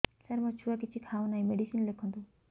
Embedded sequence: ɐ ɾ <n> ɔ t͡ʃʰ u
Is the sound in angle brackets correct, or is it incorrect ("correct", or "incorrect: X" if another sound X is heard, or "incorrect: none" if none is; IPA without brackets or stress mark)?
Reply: incorrect: m